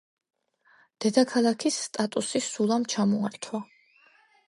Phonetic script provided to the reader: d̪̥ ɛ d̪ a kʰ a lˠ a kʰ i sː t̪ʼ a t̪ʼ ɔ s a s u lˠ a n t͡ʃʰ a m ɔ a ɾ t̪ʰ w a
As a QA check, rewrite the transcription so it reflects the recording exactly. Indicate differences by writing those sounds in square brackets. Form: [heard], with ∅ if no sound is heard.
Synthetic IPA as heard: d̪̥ ɛ d̪ a kʰ a lˠ a kʰ i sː t̪ʼ a t̪ʼ [u] s [i] s u lˠ a [m] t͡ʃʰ a m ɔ a ɾ t̪ʰ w a